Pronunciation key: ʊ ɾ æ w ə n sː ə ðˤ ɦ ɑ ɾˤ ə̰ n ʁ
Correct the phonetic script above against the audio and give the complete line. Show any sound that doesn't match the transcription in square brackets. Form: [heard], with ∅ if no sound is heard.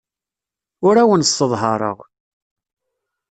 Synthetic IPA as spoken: ʊ ɾ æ w ə n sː ə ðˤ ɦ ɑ ɾˤ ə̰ [∅] ʁ

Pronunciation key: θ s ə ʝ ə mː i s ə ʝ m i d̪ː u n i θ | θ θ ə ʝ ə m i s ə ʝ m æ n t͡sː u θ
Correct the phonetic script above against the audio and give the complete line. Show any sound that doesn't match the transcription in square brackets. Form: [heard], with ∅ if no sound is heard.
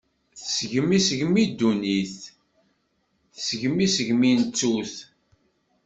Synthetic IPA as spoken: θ s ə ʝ ə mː i s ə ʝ m i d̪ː u n i θ | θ [s] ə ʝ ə m i s ə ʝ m [i] n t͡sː u θ

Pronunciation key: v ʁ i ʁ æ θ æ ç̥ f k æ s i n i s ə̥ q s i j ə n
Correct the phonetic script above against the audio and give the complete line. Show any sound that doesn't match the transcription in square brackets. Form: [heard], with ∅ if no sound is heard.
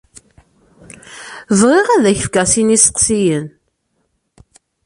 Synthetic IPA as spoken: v ʁ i ʁ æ [ð] æ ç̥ f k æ s i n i s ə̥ q s i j ə n

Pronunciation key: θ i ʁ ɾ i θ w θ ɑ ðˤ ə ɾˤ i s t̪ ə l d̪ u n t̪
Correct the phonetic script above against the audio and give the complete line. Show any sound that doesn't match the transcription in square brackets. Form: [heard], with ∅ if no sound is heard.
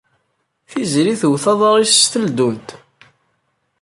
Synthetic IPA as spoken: θ i [z] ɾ i θ w θ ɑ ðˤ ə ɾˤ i s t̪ ə l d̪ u n t̪

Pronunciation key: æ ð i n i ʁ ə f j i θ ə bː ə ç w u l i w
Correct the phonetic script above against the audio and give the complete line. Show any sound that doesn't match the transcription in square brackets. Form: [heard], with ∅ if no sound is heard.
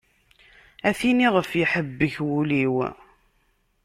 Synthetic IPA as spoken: æ [θ] i n i ʁ ə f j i [ħ] ə bː ə ç w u l i w

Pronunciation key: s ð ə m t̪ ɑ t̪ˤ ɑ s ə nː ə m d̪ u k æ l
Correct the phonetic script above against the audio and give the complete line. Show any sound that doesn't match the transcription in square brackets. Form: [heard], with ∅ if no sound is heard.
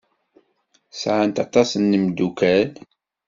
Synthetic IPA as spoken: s [ʕ] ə [n] t̪ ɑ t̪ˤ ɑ s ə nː ə m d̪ u k æ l

